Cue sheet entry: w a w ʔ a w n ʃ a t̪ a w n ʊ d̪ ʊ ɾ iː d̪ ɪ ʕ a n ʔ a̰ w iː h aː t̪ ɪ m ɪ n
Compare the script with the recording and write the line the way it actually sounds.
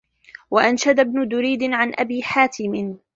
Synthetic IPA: w a ʔ a n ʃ a d̪ a b n ʊ d̪ ʊ ɾ iː d̪ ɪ ʕ a n ʔ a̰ b iː ħ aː t̪ ɪ m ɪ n